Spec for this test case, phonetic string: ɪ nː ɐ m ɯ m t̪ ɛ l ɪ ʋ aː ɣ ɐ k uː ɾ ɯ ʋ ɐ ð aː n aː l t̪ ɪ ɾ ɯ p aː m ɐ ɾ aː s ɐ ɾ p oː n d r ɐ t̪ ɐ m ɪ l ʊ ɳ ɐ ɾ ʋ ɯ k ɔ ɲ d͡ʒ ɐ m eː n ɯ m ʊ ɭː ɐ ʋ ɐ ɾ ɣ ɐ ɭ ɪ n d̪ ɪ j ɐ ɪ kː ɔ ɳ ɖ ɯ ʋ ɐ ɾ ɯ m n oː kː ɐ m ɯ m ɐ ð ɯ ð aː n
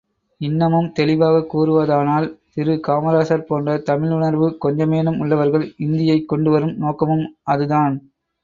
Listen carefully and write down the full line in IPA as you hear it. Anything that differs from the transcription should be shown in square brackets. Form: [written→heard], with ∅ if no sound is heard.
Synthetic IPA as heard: ɪ nː ɐ m ɯ m t̪ ɛ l ɪ ʋ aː ɣ ɐ k uː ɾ ɯ ʋ ɐ ð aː n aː l t̪ ɪ ɾ ɯ [p→k] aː m ɐ ɾ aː s ɐ ɾ p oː n d r ɐ t̪ ɐ m ɪ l ʊ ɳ ɐ ɾ ʋ ɯ k ɔ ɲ d͡ʒ ɐ m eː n ɯ m ʊ ɭː ɐ ʋ ɐ ɾ ɣ ɐ ɭ ɪ n d̪ ɪ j ɐ ɪ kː ɔ ɳ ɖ ɯ ʋ ɐ ɾ ɯ m n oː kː ɐ m ɯ m ɐ ð ɯ ð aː n

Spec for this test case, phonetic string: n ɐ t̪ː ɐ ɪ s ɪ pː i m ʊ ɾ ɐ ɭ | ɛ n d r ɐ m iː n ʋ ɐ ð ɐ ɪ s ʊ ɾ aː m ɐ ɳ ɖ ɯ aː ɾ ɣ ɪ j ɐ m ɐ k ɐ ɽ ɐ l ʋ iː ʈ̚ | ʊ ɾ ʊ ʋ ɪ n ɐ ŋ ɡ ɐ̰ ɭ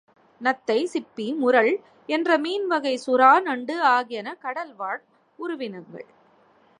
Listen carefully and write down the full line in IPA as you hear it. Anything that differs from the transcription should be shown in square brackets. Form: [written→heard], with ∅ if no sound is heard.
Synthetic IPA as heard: n ɐ t̪ː ɐ ɪ s ɪ pː i m ʊ ɾ ɐ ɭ | ɛ n d r ɐ m iː n ʋ ɐ [ð→ɣ] ɐ ɪ s ʊ ɾ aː [m→n] ɐ ɳ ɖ ɯ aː [ɾ→∅] ɣ ɪ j ɐ [m→n] ɐ k ɐ ɽ ɐ l ʋ [iː→aː] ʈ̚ | ʊ ɾ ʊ ʋ ɪ n ɐ ŋ ɡ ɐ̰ ɭ

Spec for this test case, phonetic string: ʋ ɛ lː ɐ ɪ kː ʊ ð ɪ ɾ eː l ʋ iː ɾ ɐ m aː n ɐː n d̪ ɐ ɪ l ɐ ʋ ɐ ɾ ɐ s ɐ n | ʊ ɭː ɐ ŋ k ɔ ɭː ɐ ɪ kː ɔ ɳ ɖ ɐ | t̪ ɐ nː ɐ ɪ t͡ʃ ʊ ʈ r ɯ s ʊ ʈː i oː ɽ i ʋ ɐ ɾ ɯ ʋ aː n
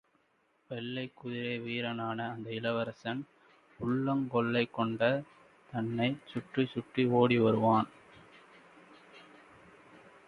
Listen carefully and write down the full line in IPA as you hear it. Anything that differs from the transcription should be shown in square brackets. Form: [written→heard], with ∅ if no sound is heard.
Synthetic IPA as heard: ʋ ɛ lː ɐ ɪ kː ʊ ð ɪ ɾ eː [l→∅] ʋ iː ɾ ɐ [m→n] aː n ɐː n d̪ ɐ ɪ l ɐ ʋ ɐ ɾ ɐ s ɐ n | ʊ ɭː ɐ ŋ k ɔ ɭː ɐ ɪ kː ɔ ɳ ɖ ɐ | t̪ ɐ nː ɐ ɪ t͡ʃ ʊ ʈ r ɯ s ʊ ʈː i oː ɽ i ʋ ɐ ɾ ɯ ʋ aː n

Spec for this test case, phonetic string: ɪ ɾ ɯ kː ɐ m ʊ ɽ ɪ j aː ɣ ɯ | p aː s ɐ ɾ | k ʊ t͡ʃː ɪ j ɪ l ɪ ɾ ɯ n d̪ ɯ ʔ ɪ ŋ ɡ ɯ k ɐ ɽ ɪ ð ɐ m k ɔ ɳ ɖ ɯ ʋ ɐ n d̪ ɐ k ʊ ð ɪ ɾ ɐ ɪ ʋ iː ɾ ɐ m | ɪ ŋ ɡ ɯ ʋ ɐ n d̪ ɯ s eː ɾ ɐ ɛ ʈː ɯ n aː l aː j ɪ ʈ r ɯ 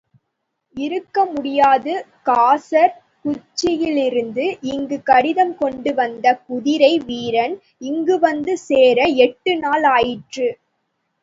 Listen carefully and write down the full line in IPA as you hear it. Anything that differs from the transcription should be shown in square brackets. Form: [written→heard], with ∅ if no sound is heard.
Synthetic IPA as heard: ɪ ɾ ɯ kː ɐ m ʊ ɽ ɪ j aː [ɣ→ð] ɯ | [p→k] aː s ɐ ɾ | k ʊ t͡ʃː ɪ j ɪ l ɪ ɾ ɯ n d̪ ɯ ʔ ɪ ŋ ɡ ɯ k ɐ ɽ ɪ ð ɐ m k ɔ ɳ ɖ ɯ ʋ ɐ n d̪ ɐ k ʊ ð ɪ ɾ ɐ ɪ ʋ iː ɾ ɐ [m→n] | ɪ ŋ ɡ ɯ ʋ ɐ n d̪ ɯ s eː ɾ ɐ ɛ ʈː ɯ n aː l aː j ɪ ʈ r ɯ

